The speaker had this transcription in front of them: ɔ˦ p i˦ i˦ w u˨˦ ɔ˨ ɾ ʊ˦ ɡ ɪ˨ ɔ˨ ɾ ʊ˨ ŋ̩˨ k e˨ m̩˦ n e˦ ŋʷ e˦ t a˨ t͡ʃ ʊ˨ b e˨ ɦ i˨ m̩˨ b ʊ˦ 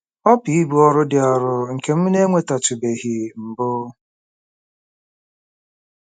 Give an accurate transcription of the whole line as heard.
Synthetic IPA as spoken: ɔ˦ p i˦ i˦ b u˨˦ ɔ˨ ɾ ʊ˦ d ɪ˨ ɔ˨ ɾ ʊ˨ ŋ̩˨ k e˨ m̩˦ n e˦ ŋʷ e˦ t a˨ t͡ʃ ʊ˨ b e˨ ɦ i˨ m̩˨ b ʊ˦